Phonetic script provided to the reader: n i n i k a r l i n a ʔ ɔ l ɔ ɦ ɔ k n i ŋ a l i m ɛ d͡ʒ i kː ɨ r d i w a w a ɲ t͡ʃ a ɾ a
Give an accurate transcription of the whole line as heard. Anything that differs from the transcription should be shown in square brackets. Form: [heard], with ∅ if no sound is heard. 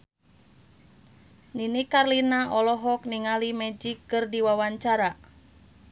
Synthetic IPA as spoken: n i n i k a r l i n a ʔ ɔ l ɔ ɦ ɔ k n i ŋ a l i m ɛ d͡ʒ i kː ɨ r d i w a w a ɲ t͡ʃ a ɾ a